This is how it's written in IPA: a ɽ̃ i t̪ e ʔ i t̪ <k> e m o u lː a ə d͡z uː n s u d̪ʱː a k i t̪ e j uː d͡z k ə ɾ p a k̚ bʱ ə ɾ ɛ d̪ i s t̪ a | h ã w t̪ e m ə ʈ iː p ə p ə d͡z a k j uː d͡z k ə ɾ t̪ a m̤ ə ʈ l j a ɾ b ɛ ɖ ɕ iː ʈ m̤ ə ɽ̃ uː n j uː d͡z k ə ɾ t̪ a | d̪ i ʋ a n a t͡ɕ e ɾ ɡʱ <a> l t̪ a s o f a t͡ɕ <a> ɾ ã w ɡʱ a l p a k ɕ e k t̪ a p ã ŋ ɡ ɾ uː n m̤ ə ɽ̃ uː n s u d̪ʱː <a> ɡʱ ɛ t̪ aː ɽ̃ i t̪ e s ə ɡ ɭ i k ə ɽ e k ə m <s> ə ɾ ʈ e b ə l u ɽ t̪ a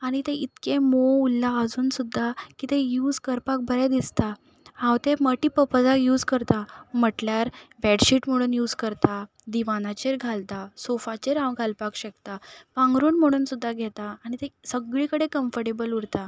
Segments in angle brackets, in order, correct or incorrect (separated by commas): correct, correct, incorrect, correct, incorrect